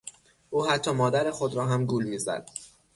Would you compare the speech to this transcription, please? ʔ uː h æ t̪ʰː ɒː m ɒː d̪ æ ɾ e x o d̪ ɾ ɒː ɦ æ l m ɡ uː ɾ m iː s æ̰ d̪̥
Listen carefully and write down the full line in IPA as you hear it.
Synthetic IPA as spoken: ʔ uː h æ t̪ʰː ɒː m ɒː d̪ æ ɾ e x o d̪ ɾ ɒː ɦ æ m ɡ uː l m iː z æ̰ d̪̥